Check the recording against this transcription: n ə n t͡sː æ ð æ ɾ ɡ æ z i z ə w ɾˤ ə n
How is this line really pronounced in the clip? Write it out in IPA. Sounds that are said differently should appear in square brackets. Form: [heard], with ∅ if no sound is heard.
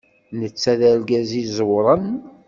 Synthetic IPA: n ə [∅] t͡sː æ ð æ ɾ ɡ æ z i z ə w ɾˤ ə n